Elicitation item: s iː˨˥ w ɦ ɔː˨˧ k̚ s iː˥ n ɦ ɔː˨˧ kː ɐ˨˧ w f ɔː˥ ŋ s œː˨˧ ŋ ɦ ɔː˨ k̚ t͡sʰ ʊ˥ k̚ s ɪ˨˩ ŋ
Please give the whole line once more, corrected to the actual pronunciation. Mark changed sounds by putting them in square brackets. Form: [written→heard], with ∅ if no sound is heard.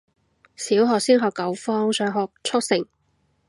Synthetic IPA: s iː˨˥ w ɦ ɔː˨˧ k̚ s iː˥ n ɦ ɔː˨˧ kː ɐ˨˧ w f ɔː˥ ŋ s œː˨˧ ŋ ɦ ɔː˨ k̚ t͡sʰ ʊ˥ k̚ s ɪ˨˩ ŋ